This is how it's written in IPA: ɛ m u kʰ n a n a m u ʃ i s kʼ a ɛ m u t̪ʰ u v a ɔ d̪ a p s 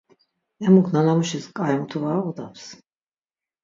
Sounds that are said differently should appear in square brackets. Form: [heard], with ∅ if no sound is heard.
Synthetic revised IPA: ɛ m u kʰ n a n a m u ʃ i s kʼ a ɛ m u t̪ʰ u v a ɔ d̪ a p s